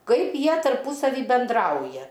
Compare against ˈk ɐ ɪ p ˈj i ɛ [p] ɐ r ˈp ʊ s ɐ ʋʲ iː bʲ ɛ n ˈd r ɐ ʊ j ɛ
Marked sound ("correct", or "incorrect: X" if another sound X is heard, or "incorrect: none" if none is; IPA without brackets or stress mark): incorrect: t